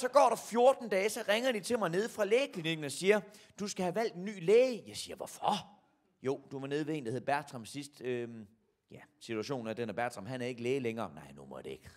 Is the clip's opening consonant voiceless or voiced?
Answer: voiceless